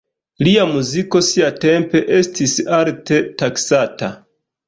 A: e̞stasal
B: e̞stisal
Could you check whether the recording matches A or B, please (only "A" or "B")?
B